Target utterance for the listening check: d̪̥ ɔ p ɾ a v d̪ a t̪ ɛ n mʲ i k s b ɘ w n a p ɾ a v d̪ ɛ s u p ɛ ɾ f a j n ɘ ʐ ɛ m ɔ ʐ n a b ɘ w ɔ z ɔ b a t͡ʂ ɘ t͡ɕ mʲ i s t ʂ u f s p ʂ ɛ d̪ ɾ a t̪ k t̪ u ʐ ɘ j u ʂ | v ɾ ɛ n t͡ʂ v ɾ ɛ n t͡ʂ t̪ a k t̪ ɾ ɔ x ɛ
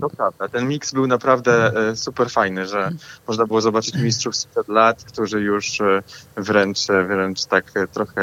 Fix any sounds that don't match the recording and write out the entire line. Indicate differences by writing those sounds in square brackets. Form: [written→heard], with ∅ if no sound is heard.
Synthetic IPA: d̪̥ ɔ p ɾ a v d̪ a t̪ ɛ n mʲ i k s b ɘ w n a p ɾ a v d̪ ɛ s u p ɛ ɾ f a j n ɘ ʐ ɛ m ɔ ʐ n a b ɘ w ɔ z ɔ b a t͡ʂ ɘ t͡ɕ mʲ i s t ʂ u f s p ʂ ɛ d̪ [ɾ→l] a t̪ k t̪ u ʐ ɘ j u ʂ | v ɾ ɛ n t͡ʂ v ɾ ɛ n t͡ʂ t̪ a k t̪ ɾ ɔ x ɛ